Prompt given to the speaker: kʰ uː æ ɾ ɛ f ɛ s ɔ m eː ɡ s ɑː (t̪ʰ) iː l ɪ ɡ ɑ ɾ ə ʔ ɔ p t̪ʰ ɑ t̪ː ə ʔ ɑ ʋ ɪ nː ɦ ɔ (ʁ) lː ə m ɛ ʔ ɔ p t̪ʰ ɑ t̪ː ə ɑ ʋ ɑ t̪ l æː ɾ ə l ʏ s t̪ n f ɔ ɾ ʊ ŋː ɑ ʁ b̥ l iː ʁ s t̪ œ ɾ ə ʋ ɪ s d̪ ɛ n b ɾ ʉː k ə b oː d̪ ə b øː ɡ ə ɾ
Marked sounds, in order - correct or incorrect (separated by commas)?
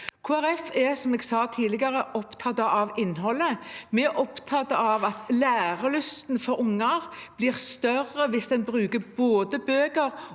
correct, incorrect